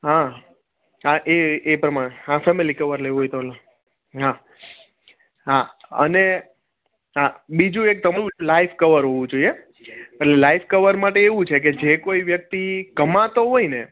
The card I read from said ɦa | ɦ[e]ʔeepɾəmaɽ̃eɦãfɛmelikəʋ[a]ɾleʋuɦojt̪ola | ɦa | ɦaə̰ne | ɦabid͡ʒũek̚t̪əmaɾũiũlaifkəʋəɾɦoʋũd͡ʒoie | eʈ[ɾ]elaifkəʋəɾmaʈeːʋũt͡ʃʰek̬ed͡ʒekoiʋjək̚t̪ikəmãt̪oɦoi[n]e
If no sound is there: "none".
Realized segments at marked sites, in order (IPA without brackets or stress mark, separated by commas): a, ə, l, n